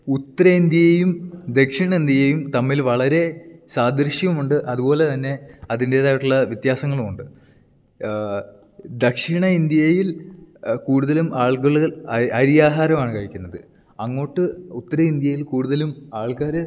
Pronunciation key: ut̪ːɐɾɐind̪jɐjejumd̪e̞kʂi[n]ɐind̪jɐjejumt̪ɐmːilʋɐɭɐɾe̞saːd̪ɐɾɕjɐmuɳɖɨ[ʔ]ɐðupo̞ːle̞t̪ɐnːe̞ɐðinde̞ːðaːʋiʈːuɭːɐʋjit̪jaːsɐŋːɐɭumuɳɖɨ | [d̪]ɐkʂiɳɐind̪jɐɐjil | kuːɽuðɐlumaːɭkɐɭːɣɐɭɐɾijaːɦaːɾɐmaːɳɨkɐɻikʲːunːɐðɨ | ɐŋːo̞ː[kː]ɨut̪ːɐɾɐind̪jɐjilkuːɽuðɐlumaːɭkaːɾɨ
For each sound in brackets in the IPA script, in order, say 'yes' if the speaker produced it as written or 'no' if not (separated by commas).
no, yes, yes, no